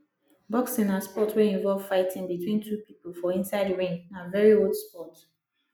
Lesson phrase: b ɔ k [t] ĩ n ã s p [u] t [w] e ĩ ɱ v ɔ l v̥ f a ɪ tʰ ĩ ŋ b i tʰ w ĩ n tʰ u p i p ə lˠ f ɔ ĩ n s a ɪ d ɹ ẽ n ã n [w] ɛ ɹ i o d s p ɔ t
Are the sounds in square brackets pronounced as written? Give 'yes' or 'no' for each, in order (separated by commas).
no, no, yes, no